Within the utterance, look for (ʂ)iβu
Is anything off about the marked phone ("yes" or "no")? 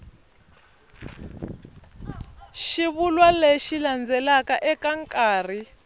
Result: yes